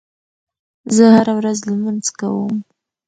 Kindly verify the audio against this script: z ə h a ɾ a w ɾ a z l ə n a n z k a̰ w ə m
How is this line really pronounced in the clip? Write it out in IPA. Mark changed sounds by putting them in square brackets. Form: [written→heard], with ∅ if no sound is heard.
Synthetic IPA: z ə h a ɾ a w ɾ a z l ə [n→m] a n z k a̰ w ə m